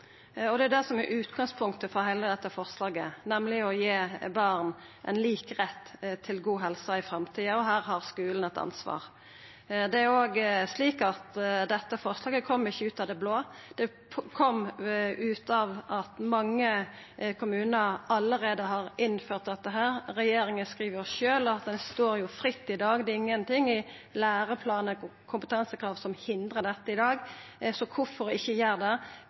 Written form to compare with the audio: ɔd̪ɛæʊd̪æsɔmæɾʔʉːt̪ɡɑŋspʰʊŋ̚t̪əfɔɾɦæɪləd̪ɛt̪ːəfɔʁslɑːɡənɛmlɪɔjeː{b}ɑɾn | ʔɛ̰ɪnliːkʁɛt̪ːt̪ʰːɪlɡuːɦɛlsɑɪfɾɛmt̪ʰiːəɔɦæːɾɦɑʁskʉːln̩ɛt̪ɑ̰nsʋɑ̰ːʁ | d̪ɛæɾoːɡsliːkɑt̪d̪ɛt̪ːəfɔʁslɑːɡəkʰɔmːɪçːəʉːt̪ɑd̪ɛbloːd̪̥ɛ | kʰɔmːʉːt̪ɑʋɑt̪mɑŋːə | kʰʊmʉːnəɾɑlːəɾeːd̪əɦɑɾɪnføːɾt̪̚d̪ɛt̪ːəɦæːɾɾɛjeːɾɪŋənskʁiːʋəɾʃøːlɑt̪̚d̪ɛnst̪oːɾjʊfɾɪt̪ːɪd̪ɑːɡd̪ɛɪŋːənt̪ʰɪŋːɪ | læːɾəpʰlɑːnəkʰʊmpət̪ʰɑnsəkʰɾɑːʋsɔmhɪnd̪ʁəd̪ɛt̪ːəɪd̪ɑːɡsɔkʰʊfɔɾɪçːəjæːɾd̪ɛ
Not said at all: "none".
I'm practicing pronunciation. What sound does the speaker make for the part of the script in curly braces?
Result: b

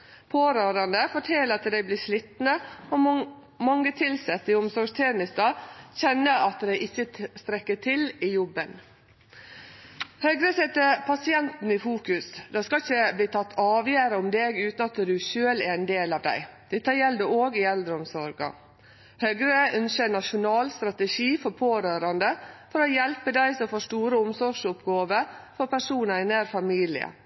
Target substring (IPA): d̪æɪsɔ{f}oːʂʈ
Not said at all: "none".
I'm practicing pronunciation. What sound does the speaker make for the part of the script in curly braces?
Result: f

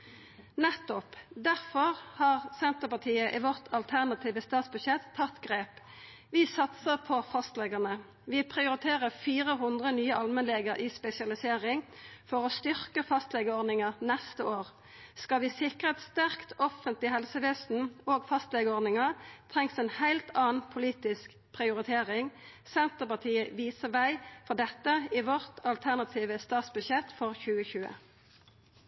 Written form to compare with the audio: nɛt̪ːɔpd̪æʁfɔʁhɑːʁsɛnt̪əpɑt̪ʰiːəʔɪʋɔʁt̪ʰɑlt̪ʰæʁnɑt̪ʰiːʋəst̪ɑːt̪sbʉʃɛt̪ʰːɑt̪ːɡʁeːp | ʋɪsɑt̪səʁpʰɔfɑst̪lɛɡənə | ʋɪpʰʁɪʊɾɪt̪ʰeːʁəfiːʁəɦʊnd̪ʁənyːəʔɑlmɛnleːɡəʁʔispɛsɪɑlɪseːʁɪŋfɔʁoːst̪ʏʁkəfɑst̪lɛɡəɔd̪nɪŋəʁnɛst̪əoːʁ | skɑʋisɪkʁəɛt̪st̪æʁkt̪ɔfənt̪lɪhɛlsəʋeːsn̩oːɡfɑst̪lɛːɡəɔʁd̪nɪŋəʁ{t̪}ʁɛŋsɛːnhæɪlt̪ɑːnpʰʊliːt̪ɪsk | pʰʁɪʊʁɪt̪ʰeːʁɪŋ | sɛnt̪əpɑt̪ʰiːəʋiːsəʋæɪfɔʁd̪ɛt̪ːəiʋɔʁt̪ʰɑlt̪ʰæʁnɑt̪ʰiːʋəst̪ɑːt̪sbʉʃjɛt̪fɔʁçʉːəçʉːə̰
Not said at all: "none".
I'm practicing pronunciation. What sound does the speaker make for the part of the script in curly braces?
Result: t̪ʰ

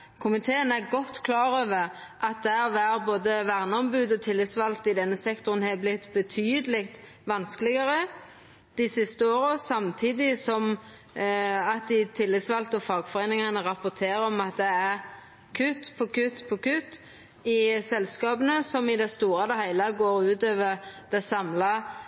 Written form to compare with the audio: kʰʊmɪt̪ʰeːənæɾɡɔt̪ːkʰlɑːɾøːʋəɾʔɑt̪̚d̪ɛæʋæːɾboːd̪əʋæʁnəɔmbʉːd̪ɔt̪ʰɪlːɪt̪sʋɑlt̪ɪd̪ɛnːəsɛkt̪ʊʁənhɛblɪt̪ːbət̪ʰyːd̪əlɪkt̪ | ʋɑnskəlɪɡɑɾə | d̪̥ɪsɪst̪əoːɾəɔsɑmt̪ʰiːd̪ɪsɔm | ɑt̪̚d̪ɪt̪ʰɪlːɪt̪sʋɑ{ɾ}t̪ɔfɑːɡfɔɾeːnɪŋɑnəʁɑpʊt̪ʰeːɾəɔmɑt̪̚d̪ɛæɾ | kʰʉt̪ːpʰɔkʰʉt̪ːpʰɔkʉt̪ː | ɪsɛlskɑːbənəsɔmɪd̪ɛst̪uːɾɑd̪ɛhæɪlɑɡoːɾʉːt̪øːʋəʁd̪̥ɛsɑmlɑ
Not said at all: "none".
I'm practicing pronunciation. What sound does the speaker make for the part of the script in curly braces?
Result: l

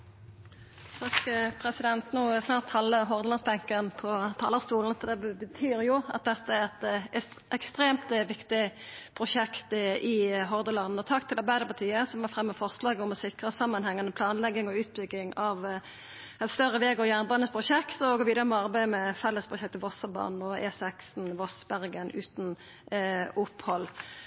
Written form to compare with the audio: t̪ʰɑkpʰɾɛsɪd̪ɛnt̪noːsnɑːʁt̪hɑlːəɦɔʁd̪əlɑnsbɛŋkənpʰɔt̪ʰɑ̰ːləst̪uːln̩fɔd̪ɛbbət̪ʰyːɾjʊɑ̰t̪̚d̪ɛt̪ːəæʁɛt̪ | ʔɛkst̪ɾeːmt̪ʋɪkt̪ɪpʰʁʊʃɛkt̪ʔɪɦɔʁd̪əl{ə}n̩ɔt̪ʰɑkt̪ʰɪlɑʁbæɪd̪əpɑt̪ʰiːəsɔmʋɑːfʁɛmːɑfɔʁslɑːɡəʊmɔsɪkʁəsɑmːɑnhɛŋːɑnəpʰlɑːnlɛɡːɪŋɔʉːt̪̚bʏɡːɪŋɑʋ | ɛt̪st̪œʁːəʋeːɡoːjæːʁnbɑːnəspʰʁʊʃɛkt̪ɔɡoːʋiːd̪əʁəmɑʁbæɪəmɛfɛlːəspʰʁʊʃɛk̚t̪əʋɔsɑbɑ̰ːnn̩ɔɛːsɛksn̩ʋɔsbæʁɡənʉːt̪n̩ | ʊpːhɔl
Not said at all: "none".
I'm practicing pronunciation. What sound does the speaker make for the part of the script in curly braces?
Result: ɑ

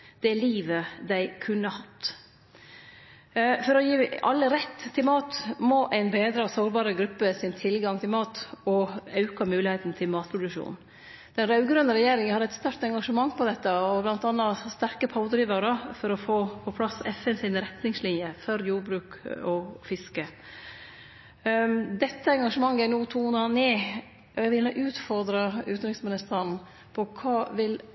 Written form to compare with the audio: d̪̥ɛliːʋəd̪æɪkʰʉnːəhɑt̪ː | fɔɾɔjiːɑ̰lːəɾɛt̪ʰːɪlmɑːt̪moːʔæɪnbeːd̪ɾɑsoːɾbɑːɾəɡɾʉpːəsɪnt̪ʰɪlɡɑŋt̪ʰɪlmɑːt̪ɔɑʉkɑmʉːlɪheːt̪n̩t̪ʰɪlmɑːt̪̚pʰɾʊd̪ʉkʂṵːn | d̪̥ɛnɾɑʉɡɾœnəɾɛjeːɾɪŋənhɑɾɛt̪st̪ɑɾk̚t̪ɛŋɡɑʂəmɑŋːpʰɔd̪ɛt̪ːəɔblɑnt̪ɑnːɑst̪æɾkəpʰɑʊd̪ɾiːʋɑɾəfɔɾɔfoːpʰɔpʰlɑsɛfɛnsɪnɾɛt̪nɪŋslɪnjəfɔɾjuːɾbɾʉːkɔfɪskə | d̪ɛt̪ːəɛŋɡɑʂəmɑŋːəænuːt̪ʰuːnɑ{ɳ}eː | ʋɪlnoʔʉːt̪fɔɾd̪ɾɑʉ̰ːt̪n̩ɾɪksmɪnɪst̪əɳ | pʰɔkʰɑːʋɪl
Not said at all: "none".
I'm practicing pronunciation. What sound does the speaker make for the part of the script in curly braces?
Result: n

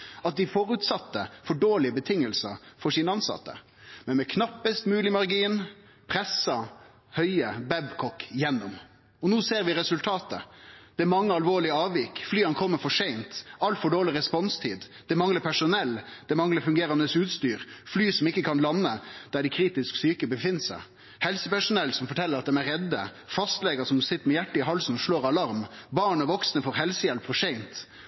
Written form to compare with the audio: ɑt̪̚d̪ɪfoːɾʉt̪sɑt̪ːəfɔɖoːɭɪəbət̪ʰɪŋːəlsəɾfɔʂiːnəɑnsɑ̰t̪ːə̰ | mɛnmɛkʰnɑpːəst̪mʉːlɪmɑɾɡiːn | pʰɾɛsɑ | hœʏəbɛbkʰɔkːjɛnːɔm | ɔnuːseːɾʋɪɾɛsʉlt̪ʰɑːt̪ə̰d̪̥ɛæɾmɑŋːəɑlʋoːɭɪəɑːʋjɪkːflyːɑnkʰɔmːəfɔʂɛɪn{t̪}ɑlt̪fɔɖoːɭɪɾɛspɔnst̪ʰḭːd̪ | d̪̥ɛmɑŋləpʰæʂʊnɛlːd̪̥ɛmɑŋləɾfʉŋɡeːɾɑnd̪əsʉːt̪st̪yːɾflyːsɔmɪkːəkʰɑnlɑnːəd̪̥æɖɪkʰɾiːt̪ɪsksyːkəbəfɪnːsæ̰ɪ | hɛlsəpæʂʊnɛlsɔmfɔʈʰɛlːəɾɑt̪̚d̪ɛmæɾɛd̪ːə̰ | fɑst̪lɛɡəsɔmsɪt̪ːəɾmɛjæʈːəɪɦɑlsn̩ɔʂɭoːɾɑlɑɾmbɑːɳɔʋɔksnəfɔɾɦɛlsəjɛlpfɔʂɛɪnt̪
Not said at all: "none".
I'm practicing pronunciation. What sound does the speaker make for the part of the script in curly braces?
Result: t̪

